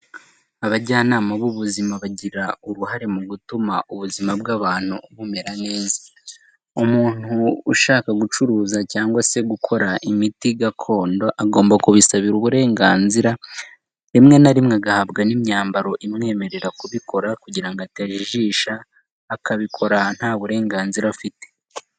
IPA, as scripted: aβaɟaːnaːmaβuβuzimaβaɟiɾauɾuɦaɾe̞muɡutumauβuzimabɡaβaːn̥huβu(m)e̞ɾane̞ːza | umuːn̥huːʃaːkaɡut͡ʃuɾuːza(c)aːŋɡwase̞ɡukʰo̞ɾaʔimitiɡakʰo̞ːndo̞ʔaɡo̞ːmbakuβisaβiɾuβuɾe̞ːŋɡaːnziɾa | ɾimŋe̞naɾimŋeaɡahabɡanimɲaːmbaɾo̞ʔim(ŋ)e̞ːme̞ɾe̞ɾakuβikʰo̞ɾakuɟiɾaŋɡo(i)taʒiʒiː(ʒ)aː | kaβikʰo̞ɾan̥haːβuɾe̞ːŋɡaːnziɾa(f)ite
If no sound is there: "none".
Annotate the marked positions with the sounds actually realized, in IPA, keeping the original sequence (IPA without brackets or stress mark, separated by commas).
m, c, ŋ, a, ʃ, f